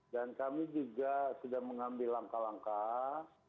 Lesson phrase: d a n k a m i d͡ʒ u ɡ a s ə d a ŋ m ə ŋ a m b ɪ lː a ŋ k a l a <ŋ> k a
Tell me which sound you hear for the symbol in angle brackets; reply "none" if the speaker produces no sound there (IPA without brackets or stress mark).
ŋ